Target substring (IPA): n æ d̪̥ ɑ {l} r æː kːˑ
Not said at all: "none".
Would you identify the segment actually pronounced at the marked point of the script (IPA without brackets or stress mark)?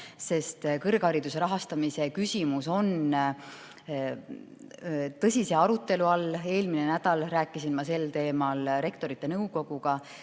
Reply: l